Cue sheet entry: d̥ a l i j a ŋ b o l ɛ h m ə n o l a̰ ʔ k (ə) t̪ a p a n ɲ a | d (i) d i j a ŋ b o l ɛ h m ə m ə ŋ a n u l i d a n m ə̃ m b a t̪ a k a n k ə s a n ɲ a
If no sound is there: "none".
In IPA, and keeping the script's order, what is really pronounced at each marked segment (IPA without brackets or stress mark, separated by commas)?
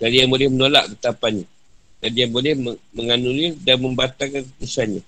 ə, a